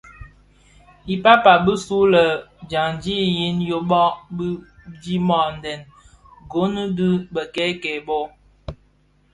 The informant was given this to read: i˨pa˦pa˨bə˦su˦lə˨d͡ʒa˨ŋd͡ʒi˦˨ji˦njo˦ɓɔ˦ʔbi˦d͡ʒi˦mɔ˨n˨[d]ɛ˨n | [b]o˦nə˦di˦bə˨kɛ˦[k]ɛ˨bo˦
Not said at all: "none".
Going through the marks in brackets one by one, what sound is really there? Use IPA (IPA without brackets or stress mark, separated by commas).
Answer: d, ɡ, k